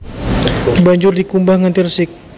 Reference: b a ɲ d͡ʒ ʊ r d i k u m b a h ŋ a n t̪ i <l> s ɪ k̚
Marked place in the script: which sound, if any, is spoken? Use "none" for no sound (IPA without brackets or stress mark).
r